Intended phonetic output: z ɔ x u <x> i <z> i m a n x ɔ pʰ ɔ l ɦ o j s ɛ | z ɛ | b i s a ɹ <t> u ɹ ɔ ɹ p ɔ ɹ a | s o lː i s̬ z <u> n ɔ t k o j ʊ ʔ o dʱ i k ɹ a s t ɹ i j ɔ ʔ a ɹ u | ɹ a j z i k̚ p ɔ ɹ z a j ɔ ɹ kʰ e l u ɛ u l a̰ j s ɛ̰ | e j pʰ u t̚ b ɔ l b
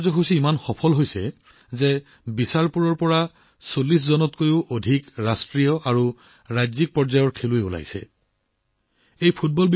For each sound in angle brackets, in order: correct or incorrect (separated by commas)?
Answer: incorrect, incorrect, incorrect, incorrect